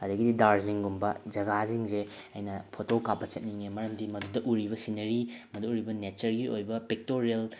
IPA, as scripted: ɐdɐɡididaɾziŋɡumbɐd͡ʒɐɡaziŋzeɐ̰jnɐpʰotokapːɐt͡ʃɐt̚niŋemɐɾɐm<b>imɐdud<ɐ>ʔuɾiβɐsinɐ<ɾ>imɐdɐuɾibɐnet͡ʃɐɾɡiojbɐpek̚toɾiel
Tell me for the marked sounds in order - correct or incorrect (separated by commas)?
incorrect, correct, correct